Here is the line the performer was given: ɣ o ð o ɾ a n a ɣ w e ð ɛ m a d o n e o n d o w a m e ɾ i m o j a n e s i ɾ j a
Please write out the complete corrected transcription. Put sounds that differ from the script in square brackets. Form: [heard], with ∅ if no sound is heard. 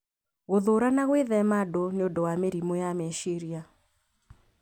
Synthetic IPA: ɣ o ð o ɾ a n a ɣ w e ð ɛ m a d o n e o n d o w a m e ɾ i m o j a [m] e [ʃ] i ɾ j a